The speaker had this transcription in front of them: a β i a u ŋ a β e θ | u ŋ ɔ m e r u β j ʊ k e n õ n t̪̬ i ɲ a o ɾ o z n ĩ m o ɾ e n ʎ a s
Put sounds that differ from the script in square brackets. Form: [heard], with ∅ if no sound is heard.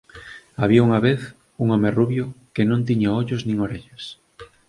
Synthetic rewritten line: a β i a u ŋ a β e θ | u ŋ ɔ m e r u β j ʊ k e n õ n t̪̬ i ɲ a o [ʎ] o z n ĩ [ŋ] o ɾ e [∅] ʎ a s